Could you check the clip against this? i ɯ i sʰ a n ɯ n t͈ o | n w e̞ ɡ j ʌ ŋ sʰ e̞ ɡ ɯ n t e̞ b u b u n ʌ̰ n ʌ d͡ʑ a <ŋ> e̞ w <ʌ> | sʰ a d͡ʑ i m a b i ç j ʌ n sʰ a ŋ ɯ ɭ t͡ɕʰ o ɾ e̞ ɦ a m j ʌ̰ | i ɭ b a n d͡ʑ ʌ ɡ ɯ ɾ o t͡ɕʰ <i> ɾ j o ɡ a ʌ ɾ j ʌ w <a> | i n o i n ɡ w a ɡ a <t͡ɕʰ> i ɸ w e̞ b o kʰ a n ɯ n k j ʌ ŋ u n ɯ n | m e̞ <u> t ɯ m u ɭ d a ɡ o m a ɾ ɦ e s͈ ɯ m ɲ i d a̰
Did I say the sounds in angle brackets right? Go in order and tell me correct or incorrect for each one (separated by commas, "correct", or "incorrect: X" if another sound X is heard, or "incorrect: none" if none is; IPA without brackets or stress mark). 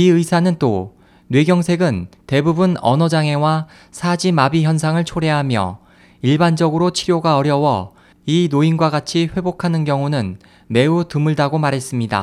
correct, incorrect: a, correct, incorrect: ʌ, correct, correct